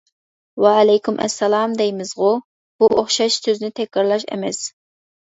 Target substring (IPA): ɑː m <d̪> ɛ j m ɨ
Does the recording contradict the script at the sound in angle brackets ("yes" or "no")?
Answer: no